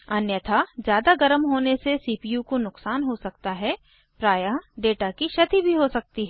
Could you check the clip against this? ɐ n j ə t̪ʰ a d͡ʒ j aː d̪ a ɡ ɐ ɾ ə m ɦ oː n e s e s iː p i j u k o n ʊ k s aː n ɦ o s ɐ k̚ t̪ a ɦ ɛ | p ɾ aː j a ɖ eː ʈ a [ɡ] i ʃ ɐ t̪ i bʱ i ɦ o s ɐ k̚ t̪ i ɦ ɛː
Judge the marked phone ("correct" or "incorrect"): incorrect